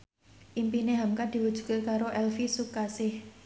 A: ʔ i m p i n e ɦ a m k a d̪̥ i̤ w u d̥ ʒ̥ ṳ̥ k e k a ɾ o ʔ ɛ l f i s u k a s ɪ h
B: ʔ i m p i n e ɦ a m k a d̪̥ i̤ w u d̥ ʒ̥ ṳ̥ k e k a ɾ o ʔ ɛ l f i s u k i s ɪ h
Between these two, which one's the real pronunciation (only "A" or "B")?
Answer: A